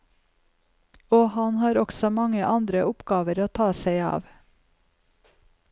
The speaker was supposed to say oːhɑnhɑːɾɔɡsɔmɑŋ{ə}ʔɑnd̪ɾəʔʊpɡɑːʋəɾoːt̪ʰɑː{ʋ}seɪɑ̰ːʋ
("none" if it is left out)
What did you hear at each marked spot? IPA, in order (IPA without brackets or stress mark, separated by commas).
ə, none